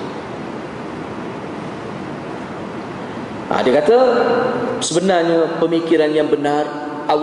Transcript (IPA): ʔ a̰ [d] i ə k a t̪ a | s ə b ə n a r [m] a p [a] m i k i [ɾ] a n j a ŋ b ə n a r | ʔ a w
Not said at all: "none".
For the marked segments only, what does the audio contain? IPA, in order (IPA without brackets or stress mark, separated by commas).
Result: d, ɲ, ə, ɾ